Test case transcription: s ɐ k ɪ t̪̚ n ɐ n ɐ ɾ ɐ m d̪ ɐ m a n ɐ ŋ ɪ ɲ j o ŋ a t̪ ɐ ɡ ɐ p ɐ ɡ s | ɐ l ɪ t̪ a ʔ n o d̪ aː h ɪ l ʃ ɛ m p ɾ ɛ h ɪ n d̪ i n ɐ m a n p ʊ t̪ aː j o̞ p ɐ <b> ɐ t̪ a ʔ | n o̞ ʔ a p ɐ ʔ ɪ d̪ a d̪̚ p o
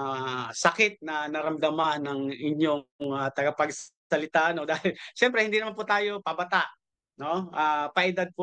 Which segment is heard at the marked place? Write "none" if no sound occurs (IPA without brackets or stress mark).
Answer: b